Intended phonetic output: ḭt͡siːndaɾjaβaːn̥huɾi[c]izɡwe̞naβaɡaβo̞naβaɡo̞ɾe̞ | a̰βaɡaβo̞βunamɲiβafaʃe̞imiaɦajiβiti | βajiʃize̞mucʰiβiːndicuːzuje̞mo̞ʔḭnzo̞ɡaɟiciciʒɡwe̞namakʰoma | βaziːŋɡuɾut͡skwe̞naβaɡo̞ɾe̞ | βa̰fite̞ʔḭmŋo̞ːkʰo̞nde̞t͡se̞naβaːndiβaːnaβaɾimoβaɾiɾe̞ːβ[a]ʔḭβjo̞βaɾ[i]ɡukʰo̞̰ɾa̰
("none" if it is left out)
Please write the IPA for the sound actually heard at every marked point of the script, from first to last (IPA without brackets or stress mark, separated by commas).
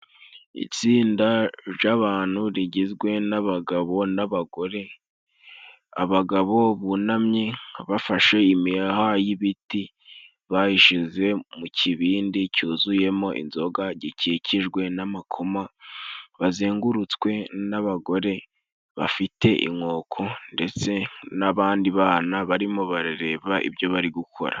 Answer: ɟ, a, i